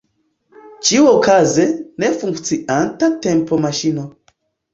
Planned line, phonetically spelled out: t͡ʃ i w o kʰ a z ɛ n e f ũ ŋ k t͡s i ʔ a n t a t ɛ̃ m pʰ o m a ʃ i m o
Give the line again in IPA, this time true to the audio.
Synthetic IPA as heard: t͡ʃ i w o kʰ a z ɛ n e f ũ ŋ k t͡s i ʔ a n t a t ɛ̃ m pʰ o m a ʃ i n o